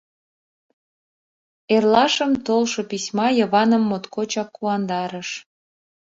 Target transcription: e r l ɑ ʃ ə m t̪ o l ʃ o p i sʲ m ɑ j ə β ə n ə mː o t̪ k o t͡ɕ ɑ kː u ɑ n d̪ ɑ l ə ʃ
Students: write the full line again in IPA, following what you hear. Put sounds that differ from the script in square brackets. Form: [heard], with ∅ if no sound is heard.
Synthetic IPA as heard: e r l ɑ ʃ ə m t̪ o l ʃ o p i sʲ m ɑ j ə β [ɑ] n ə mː o t̪ k o t͡ɕ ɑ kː u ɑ n d̪ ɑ [ɾ] ə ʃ